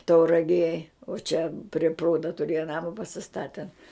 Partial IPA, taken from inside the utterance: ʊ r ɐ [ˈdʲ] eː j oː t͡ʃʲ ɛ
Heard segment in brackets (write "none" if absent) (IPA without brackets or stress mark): ɡʲ